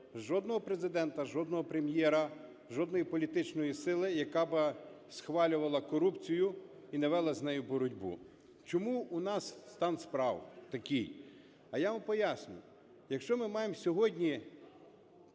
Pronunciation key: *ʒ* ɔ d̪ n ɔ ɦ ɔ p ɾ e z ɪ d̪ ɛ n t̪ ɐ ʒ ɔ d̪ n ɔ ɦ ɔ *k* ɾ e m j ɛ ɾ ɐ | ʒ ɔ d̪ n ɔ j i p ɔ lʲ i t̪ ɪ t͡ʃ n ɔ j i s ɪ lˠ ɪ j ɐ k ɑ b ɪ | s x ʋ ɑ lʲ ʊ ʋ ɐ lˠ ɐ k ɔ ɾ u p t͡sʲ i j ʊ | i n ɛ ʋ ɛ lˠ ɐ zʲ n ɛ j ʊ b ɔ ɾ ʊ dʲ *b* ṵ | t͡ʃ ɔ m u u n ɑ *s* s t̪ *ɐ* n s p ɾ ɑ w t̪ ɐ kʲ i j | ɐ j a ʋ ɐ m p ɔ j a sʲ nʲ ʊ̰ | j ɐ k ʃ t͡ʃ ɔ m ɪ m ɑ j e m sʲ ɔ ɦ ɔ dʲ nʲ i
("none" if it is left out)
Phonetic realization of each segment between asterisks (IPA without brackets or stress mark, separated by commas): ʒ, p, b, s, ɑ